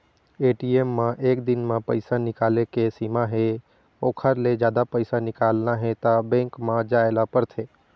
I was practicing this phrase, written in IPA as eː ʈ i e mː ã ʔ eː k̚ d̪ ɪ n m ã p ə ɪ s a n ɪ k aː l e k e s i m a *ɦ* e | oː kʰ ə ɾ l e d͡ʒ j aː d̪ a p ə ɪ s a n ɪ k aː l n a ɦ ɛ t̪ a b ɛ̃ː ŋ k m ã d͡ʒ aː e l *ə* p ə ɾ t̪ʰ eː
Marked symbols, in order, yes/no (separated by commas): yes, no